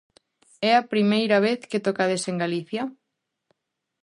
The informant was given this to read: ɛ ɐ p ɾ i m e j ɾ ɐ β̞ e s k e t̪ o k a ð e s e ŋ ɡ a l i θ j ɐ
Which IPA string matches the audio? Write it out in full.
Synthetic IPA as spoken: ɛ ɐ p ɾ i m e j ɾ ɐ β̞ e θ k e t̪ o k a ð e s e ŋ ɡ a l i θ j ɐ